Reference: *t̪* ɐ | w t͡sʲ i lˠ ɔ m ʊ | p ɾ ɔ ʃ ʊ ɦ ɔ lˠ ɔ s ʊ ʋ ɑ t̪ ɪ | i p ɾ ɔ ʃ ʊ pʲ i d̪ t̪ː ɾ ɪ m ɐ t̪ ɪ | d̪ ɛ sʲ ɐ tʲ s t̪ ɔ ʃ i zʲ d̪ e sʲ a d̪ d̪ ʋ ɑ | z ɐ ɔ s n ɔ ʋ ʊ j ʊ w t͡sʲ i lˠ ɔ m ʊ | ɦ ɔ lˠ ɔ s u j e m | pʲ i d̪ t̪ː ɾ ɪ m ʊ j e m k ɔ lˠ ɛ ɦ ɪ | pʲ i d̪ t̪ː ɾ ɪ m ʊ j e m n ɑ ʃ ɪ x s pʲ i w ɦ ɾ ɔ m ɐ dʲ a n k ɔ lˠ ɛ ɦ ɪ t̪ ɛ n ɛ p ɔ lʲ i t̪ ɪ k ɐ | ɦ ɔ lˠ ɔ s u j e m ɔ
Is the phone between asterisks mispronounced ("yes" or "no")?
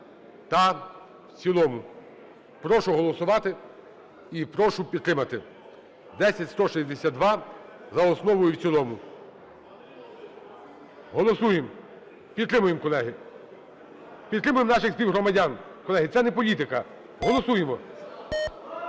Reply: no